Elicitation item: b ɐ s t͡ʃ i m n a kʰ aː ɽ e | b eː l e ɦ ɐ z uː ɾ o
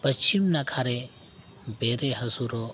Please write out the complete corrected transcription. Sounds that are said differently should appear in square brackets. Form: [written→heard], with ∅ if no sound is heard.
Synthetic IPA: [b→p] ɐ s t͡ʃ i m n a kʰ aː [ɽ→ɾ] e | b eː [l→ɾ] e ɦ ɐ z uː ɾ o